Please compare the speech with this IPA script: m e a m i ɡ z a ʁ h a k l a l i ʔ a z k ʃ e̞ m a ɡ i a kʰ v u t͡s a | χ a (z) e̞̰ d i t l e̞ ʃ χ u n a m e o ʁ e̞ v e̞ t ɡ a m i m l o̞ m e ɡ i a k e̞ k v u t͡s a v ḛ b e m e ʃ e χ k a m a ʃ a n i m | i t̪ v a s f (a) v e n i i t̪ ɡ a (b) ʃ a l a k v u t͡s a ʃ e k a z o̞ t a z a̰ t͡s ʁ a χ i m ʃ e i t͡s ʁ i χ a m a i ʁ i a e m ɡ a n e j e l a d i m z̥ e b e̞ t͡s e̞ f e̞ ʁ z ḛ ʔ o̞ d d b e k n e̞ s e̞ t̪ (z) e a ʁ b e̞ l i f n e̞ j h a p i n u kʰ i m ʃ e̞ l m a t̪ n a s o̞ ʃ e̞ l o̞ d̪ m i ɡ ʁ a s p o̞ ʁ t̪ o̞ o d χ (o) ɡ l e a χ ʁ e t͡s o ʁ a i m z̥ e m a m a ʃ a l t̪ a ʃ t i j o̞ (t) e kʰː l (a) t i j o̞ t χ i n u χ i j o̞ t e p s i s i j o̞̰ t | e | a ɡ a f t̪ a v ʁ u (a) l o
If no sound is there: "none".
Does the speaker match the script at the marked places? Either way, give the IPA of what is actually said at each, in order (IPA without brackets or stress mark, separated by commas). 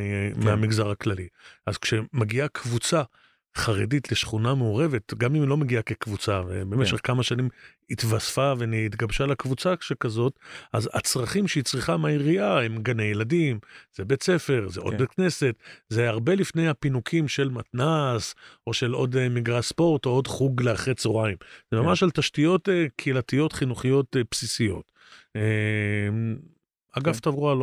ʁ, a, b, z, u, t, a, a